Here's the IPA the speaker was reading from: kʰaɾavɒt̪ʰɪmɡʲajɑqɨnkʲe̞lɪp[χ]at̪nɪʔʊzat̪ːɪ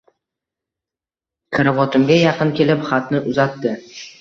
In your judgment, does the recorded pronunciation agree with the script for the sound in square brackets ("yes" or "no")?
yes